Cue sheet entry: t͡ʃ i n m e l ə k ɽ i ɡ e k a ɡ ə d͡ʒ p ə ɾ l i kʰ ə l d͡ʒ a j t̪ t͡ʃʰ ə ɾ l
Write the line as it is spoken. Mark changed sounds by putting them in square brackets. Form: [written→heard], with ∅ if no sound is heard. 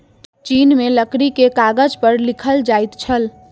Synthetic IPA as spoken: t͡ʃ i n m e l ə k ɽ i [ɡ→k] e k a ɡ ə d͡ʒ p ə ɾ l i kʰ ə l d͡ʒ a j t̪ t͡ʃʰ ə [ɾ→∅] l